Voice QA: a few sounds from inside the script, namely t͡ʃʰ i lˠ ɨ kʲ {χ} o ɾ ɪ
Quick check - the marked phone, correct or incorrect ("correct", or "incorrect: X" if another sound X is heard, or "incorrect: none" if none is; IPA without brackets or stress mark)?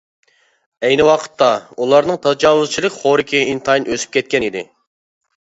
correct